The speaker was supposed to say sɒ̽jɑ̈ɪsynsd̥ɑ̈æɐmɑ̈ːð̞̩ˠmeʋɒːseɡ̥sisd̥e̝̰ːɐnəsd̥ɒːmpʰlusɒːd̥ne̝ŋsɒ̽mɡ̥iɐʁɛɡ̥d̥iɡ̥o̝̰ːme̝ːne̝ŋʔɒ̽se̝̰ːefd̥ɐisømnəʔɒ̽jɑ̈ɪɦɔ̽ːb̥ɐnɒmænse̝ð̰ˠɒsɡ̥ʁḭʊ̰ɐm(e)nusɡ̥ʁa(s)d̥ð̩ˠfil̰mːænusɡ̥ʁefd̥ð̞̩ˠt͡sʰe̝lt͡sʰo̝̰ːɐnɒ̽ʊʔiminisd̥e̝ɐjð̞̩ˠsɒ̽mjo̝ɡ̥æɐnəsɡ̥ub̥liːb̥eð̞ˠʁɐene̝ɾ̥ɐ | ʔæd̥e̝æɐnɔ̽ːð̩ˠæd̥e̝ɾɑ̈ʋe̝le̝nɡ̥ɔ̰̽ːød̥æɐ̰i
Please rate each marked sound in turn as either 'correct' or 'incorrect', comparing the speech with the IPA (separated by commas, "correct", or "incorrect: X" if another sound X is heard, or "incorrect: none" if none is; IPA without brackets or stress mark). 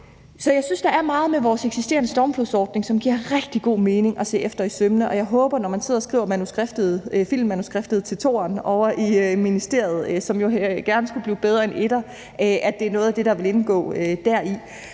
incorrect: æ, incorrect: f